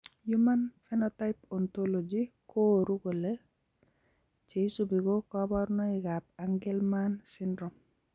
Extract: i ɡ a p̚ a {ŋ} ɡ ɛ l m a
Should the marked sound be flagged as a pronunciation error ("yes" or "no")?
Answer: no